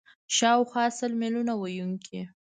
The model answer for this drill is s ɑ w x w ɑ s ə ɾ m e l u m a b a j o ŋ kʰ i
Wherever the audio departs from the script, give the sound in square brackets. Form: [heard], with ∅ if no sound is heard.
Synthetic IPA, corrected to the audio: [ʃ] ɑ w x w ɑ s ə [l] m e l u [n] a [w] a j [u] ŋ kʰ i